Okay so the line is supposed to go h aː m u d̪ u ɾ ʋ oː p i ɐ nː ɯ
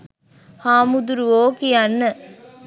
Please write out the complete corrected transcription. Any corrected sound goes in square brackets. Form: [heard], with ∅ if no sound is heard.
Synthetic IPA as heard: h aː m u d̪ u ɾ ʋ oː [k] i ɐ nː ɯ